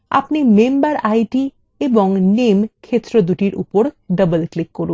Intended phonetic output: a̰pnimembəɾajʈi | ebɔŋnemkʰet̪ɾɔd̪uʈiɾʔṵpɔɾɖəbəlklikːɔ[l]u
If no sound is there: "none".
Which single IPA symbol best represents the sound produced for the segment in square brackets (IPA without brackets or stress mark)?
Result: ɾ